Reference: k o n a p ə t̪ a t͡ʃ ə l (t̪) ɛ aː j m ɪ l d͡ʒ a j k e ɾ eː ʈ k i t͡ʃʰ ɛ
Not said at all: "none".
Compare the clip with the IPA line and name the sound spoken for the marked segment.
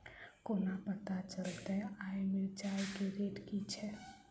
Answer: t̪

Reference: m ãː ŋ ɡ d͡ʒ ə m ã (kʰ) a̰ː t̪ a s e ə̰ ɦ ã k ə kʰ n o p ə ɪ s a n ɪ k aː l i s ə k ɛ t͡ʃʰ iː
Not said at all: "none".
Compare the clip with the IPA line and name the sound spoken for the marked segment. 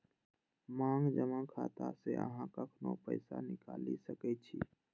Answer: kʰ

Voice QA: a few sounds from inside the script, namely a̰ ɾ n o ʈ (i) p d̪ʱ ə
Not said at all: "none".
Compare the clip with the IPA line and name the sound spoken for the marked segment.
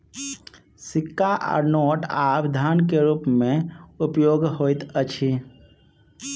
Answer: a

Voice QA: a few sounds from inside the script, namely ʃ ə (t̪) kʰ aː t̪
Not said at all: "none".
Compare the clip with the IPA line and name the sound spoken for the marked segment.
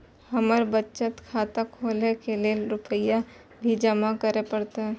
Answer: t̪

